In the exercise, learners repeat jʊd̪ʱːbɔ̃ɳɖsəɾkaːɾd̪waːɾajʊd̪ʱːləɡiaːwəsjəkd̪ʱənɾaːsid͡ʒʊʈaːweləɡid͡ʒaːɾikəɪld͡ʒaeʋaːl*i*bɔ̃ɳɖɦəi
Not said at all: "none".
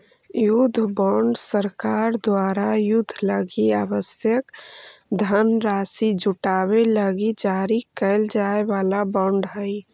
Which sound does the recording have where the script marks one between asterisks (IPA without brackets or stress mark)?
a